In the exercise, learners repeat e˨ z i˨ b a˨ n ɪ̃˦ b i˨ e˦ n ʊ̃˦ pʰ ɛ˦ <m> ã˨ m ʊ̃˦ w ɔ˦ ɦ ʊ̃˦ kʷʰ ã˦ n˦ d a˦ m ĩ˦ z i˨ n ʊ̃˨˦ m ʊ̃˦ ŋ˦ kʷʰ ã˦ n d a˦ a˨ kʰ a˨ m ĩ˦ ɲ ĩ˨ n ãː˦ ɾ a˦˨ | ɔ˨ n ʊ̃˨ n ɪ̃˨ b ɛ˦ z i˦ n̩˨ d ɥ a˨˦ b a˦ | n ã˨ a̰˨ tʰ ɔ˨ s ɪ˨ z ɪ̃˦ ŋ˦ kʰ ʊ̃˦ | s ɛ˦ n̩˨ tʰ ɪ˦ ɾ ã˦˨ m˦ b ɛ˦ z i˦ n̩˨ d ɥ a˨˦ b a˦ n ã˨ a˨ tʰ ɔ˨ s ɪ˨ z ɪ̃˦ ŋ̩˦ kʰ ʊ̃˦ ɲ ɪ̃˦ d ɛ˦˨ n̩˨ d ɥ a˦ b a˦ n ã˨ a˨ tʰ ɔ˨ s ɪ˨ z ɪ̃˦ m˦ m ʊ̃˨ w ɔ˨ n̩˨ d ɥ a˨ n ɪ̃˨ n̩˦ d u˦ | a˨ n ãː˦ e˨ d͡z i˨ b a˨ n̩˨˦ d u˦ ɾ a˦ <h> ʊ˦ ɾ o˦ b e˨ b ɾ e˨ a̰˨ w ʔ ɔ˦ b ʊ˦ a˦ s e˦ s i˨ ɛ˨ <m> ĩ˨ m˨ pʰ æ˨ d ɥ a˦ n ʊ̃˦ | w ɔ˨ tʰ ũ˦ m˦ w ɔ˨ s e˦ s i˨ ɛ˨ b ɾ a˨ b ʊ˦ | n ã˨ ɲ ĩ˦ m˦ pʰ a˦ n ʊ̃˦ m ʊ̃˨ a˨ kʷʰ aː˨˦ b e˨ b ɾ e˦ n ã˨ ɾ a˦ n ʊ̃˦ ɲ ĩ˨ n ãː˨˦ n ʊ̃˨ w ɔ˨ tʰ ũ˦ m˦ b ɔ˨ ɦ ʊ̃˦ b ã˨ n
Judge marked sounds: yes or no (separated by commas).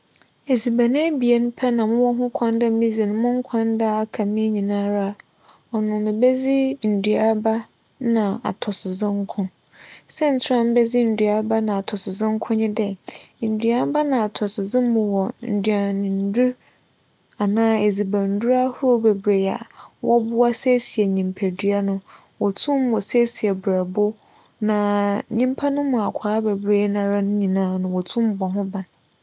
no, yes, no